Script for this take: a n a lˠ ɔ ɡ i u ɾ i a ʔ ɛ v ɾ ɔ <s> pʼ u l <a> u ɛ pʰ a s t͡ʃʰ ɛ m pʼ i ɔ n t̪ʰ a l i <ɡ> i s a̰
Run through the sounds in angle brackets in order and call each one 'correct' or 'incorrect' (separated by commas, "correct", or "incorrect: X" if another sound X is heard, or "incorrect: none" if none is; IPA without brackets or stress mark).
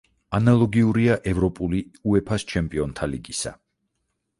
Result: incorrect: none, incorrect: i, correct